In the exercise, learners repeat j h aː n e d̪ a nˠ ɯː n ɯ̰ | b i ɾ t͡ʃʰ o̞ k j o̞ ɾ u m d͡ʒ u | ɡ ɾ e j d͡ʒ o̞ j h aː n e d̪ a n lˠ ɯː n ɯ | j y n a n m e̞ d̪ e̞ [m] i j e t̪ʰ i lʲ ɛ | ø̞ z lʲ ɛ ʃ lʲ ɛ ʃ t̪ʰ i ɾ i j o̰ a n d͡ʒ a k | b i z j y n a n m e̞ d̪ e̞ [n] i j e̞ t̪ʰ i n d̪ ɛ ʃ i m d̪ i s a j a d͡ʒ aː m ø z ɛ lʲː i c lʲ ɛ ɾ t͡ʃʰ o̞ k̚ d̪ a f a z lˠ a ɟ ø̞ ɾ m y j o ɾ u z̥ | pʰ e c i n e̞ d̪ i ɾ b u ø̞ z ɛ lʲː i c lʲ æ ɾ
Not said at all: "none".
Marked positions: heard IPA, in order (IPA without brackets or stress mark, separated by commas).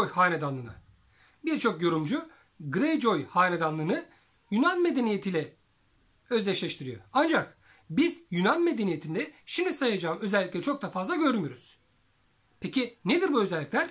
n, n